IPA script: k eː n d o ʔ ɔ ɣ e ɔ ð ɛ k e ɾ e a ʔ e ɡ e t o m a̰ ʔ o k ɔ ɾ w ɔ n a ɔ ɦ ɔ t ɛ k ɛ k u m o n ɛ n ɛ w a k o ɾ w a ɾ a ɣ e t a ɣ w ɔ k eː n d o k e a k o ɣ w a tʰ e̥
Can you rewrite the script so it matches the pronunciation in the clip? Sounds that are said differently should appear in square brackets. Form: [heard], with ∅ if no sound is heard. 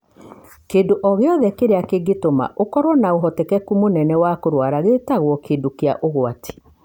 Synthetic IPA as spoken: k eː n d o ʔ ɔ ɣ e ɔ ð ɛ k e ɾ e a [k] e ɡ e t o m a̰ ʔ o k ɔ ɾ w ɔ n a [o] ɦ ɔ t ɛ k ɛ k u m o n ɛ n ɛ w a k o ɾ w a ɾ a ɣ e t a ɣ w ɔ k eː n d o k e a [ʔ] o ɣ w a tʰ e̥